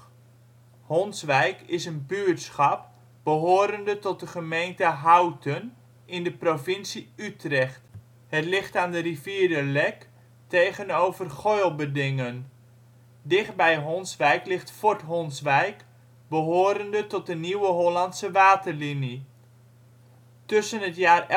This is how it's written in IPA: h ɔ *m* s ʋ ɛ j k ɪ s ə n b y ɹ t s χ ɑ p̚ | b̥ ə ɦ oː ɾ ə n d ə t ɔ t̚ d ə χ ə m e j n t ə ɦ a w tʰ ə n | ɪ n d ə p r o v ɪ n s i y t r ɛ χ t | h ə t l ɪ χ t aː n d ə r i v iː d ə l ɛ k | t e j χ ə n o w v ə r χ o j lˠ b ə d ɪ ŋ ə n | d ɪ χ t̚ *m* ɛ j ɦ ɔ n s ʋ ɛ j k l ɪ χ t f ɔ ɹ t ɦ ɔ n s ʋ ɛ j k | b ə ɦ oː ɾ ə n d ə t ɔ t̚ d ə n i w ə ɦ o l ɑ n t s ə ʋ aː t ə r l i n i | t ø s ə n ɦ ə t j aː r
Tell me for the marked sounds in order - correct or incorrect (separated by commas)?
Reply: incorrect, incorrect